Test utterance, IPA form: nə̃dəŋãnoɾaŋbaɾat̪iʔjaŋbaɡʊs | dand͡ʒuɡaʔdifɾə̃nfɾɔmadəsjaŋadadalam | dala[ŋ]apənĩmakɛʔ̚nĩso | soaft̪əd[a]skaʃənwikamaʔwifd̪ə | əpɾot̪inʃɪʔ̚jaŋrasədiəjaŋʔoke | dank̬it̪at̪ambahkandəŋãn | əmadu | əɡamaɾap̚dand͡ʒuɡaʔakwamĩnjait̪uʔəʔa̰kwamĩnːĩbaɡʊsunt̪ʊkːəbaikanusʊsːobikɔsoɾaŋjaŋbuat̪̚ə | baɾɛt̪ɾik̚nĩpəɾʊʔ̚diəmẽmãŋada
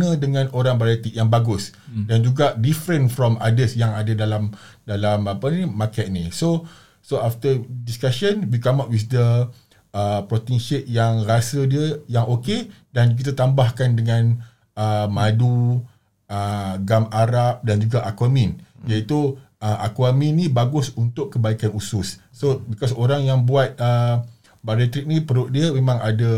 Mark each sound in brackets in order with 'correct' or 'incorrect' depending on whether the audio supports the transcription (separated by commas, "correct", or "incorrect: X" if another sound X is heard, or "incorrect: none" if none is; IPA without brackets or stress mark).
incorrect: m, incorrect: i